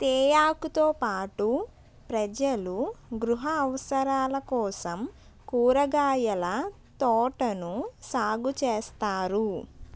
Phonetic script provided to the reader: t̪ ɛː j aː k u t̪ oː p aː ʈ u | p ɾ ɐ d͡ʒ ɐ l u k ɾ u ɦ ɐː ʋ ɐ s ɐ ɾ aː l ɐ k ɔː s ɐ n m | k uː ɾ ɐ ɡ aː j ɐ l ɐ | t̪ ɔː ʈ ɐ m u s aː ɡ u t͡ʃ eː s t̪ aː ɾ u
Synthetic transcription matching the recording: t̪ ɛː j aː k u t̪ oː p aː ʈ u | p ɾ ɐ d͡ʒ ɐ l u ɡ ɾ u ɦ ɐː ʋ ɐ s ɐ ɾ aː l ɐ k ɔː s ɐ m | k uː ɾ ɐ ɡ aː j ɐ l ɐ | t̪ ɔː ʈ ɐ n u s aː ɡ u t͡ʃ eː s t̪ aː ɾ u